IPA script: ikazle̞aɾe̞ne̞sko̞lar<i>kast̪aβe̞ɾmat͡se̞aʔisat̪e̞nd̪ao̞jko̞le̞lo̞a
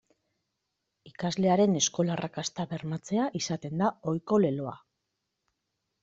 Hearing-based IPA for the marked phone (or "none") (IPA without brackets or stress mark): a